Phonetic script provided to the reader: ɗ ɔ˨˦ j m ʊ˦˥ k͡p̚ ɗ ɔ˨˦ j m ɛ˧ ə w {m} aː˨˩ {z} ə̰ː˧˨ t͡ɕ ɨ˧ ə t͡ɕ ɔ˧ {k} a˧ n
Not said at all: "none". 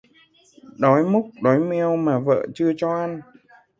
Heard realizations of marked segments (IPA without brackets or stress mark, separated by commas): m, v, ʔ